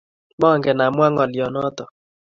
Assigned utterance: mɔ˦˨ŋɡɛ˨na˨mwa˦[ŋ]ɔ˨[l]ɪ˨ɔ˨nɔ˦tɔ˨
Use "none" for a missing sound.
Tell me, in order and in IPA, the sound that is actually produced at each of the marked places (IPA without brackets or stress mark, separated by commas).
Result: ŋ, l